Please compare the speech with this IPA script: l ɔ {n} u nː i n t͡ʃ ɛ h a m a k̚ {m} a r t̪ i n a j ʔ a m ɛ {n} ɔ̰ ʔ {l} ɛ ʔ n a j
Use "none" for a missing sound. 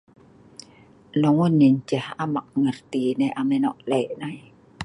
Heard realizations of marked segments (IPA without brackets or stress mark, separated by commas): ŋ, ŋ, n, l